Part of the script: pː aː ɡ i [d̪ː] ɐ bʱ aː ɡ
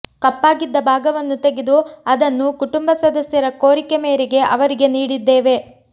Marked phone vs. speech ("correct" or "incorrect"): correct